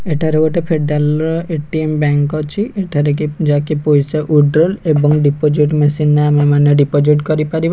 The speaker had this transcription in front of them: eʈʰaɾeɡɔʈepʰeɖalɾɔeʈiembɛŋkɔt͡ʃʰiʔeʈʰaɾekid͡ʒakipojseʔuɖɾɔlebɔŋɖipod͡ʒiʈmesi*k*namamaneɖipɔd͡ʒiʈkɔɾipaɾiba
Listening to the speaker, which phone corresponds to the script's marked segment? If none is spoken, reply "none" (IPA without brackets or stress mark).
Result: none